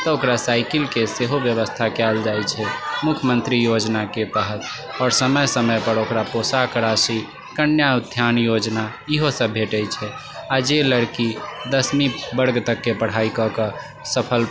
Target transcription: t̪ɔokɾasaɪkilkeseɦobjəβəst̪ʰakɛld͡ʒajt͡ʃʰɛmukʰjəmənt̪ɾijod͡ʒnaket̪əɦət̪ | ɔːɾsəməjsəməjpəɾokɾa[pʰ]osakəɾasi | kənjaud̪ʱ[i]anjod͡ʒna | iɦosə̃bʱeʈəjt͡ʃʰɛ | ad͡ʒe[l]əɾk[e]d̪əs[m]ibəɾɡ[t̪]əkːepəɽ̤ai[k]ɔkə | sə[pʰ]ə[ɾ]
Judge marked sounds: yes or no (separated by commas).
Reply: no, no, yes, no, yes, yes, yes, yes, no